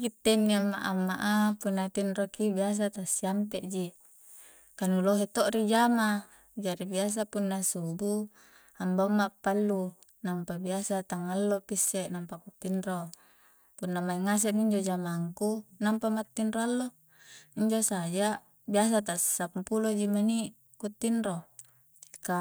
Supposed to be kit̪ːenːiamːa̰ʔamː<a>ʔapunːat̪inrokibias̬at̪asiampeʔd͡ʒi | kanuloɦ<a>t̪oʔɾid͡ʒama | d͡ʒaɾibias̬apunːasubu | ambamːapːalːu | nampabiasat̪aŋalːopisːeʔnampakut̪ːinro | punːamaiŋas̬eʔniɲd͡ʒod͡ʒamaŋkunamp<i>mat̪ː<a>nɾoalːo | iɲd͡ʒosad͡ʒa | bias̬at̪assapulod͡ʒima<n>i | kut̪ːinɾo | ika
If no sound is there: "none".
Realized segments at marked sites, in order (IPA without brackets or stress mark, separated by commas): a, e, a, i, n